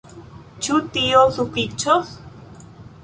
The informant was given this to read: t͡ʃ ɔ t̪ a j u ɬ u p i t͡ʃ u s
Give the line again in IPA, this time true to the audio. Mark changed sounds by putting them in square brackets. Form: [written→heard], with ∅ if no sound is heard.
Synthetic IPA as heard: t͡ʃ [ɔ→u] t̪ [a→i] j [u→o] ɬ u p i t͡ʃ [u→o] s